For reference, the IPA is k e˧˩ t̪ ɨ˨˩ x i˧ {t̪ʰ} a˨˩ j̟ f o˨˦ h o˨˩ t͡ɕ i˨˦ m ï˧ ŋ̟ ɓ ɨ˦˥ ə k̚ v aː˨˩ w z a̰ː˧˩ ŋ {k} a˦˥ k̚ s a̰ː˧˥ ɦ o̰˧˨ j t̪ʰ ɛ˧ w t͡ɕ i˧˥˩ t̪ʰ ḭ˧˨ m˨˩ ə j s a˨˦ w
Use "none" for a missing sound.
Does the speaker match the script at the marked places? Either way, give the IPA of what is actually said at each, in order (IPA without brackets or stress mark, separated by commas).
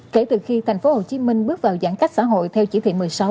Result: t̪ʰ, k